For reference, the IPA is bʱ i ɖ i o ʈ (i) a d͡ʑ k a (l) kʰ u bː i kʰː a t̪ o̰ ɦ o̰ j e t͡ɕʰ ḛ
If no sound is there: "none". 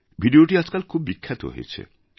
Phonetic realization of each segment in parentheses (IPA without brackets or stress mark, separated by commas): i, l